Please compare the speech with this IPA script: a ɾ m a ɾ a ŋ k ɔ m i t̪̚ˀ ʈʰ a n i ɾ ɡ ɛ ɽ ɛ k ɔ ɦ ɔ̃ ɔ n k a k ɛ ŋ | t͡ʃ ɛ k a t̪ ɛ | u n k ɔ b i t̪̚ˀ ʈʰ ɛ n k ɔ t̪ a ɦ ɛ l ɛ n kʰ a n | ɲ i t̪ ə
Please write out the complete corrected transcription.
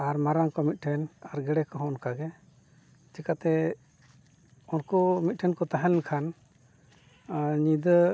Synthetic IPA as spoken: a ɾ m a ɾ a ŋ k ɔ m i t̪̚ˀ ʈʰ ɛ n a ɾ ɡ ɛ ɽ ɛ k ɔ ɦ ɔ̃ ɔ n k a ɡ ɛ | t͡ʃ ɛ k a t̪ ɛ | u n k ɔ m i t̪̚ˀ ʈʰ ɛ n k ɔ t̪ a ɦ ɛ l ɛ n kʰ a n | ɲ i d̪ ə